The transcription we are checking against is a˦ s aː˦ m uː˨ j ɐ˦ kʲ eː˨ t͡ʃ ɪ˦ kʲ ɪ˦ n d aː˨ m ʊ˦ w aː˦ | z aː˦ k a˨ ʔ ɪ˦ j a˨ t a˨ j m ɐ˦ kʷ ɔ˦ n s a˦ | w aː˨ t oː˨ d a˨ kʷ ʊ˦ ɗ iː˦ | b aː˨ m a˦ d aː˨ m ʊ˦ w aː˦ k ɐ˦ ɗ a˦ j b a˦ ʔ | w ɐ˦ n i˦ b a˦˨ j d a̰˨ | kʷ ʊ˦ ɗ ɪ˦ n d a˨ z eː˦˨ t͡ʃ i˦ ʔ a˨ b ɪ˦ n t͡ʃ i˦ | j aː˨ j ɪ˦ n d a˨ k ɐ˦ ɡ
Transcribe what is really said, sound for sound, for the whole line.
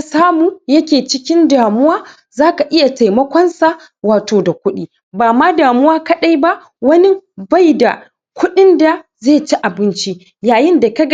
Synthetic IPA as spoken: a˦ s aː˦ m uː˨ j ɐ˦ kʲ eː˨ t͡ʃ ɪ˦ kʲ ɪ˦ n d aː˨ m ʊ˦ w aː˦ | z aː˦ k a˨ ʔ ɪ˦ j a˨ t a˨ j m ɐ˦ kʷ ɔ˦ n s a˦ | w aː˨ t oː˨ d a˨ kʷ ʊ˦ ɗ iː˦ | b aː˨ m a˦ d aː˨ m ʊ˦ w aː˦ k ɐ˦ ɗ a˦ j b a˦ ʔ | w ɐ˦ n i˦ b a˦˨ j d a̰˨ | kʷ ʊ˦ ɗ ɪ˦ n d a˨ z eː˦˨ t͡ʃ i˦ ʔ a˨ b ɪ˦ n t͡ʃ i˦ | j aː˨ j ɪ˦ n d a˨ k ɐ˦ ɡ